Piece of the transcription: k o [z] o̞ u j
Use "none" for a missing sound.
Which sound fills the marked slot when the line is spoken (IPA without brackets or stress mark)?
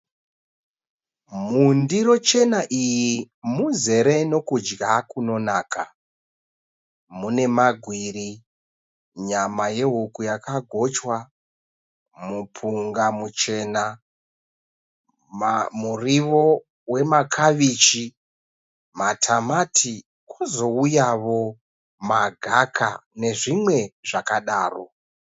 z